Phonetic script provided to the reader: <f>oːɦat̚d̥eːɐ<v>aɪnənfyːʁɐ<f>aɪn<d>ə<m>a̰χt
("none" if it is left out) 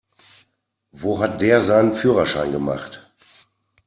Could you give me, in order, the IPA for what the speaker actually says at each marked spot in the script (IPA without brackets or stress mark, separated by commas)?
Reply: v, z, ʃ, ɡ, m